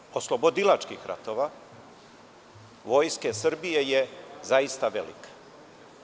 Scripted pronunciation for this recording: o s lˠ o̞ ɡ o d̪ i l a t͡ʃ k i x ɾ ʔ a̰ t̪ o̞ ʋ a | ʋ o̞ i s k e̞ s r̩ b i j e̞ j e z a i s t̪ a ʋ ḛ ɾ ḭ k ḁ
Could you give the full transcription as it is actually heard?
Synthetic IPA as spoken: o s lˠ o̞ b o d̪ i l a t͡ʃ k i x ɾ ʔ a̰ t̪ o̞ ʋ a | ʋ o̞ j s k e̞ s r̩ b i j e̞ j e z a i s t̪ a ʋ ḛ l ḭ k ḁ

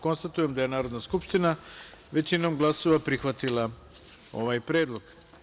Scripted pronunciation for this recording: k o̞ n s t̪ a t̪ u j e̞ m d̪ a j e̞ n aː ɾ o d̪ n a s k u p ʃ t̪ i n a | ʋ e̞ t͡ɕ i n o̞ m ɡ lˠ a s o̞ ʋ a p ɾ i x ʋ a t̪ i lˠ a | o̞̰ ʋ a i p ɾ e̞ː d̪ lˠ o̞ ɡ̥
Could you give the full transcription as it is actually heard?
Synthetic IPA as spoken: k o̞ n s t̪ a t̪ u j e̞ m d̪ a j e̞ n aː ɾ o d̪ n a s k u p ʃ t̪ i n a | ʋ e̞ t͡ɕ i n o̞ m ɡ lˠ a s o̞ ʋ a p ɾ i x ʋ a t̪ i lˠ a | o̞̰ ʋ a j p ɾ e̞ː d̪ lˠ o̞ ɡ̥

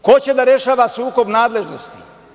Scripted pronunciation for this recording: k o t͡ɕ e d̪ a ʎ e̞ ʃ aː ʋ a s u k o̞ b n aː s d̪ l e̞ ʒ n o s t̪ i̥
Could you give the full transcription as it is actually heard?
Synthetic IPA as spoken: k o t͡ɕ e d̪ a ɾ e̞ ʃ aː ʋ a s uː k o̞ b n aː d̪ l e̞ ʒ n o s t̪ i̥

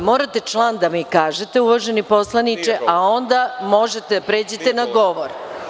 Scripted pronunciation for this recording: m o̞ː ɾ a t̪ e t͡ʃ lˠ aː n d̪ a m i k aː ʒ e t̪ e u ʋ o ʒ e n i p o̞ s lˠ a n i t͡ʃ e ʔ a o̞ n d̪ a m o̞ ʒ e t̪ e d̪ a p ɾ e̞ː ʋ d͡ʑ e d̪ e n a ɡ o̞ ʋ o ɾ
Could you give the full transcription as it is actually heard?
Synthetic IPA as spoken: m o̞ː ɾ a t̪ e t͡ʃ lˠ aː n d̪ a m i k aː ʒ e t̪ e u ʋ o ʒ e n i p o̞ s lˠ a n i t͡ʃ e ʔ a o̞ n d̪ a m o̞ ʒ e t̪ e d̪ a p ɾ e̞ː d͡ʑ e t̪ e n a ɡ o̞ ʋ o ɾ

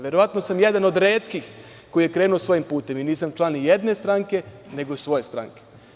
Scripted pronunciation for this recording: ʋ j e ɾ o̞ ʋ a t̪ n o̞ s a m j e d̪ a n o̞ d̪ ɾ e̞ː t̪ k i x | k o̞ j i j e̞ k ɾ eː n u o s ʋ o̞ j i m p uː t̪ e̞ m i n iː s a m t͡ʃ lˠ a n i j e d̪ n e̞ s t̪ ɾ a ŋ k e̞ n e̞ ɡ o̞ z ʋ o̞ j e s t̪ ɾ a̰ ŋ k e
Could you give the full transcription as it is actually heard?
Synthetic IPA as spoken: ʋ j e ɾ o̞ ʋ a t̪ n o̞ s a m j e d̪ a n o̞ d̪ ɾ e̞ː t̪ k i x | k o̞ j i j e̞ k ɾ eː n u o s ʋ o̞ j i m p uː t̪ e̞ m i n iː s a m t͡ʃ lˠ a n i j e d̪ n e̞ s t̪ ɾ a ŋ k e̞ n e̞ ɡ o̞ s ʋ o̞ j e s t̪ ɾ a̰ ŋ k e

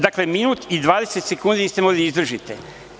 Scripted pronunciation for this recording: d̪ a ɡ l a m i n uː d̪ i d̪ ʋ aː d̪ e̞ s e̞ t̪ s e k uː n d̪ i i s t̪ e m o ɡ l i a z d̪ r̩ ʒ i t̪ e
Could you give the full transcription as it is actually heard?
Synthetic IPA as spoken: d̪ a k l e m i n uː t̪ i d̪ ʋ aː d̪ e̞ s e̞ t̪ s e k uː n d̪ i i s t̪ e m o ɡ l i i z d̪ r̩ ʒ i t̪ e

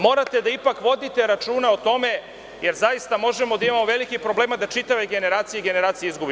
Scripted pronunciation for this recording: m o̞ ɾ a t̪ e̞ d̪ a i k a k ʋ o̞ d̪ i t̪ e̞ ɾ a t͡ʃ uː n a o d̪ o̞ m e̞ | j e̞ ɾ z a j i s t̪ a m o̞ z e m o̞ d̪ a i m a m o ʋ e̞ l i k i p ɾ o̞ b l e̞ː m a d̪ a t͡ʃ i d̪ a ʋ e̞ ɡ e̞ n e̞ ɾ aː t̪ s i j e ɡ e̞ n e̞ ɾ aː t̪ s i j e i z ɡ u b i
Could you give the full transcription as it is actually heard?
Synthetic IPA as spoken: m o̞ ɾ a t̪ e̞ d̪ a i p a k ʋ o̞ d̪ i t̪ e̞ ɾ a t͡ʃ uː n a o t̪ o̞ m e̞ | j e̞ ɾ z a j i s t̪ a m o̞ ʒ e m o̞ d̪ a i m a m o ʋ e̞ l i k i p ɾ o̞ b l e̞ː m a d̪ a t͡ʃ i t̪ a ʋ e̞ ɡ e̞ n e̞ ɾ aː t̪ s i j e ɡ e̞ n e̞ ɾ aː t̪ s i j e i z ɡ u b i

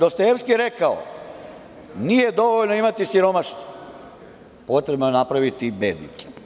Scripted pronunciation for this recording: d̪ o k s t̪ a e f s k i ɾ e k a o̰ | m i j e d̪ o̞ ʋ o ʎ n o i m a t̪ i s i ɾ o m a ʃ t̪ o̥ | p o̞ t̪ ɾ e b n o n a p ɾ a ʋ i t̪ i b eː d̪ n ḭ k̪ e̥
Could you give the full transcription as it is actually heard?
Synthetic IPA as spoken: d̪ o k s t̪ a e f s k i ɾ e k a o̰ | n i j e d̪ o̞ ʋ o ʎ n o i m a t̪ i s i ɾ o m a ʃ t̪ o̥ | p o̞ t̪ ɾ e b n o n a p ɾ a ʋ i t̪ i b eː d̪ n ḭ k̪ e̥

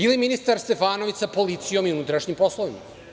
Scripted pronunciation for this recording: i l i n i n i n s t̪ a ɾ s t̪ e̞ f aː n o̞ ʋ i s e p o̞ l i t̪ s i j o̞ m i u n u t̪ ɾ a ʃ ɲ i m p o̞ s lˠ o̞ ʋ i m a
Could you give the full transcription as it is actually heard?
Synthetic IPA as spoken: i l i m i n i s t̪ a ɾ s t̪ e̞ f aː n o̞ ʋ i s a p o̞ l i t̪ s i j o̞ m i u n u t̪ ɾ a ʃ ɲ i m p o̞ s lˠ o̞ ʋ i m a

